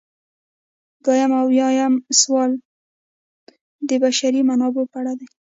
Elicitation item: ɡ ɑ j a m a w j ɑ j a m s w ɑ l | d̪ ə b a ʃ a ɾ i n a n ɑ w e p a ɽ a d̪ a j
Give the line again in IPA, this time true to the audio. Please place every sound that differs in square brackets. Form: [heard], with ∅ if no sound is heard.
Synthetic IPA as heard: ɡ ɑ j a m a w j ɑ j a m s w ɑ l | d̪ ə b a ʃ a ɾ i [m] a n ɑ [b] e p a ɽ a d̪ a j